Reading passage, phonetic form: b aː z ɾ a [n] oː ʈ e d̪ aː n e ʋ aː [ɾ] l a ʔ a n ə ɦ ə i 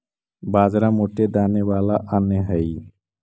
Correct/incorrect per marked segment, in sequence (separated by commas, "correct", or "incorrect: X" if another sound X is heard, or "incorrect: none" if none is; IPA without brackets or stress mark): incorrect: m, incorrect: none